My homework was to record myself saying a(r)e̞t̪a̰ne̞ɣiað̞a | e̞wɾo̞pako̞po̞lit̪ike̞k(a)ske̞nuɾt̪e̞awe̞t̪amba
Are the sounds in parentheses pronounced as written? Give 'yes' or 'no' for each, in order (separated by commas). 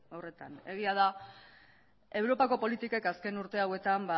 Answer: yes, yes